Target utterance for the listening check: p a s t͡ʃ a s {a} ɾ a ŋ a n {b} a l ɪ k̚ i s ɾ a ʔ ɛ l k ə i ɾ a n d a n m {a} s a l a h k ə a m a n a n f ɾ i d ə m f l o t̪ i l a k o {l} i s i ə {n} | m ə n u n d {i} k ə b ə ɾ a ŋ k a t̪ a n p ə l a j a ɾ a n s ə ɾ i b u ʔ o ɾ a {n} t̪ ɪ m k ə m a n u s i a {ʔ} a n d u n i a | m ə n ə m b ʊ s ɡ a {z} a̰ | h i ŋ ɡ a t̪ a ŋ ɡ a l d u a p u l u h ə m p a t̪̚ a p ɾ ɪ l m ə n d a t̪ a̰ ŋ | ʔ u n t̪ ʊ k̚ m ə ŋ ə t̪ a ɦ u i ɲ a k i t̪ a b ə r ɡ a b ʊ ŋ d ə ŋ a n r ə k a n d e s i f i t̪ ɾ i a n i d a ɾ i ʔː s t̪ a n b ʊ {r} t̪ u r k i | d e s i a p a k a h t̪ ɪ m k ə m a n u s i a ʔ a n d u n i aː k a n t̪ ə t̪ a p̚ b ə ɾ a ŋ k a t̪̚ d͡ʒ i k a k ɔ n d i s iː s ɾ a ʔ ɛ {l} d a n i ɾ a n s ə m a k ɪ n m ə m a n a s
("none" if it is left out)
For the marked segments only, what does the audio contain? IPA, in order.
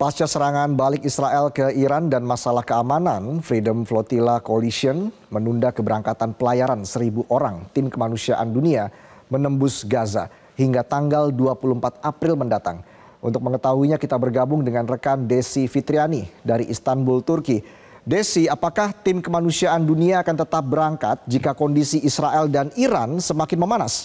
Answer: ə, b, a, l, n, a, ŋ, ʔ, z, l, l

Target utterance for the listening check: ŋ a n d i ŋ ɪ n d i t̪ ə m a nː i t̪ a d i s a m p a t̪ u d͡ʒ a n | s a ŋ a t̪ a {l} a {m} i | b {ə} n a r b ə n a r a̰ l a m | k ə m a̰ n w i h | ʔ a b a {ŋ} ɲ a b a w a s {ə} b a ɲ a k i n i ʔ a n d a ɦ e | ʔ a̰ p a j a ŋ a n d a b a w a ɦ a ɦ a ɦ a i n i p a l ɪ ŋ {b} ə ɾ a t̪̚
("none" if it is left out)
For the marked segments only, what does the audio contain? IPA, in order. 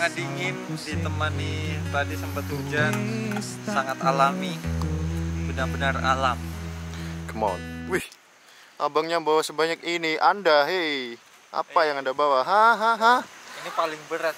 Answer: l, m, ə, ŋ, ə, b

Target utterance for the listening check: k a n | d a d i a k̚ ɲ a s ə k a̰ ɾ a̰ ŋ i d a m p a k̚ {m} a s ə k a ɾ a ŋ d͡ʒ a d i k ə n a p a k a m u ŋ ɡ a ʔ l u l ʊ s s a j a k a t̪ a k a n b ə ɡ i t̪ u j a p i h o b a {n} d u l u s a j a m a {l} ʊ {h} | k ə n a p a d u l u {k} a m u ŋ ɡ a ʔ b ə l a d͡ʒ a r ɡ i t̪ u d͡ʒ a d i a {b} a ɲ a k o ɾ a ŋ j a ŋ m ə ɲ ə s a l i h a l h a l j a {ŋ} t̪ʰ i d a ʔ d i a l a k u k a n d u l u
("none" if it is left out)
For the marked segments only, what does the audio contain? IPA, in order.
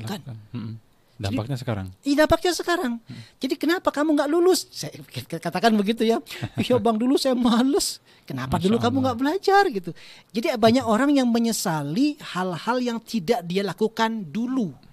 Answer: ɲ, ŋ, l, s, k, b, ŋ

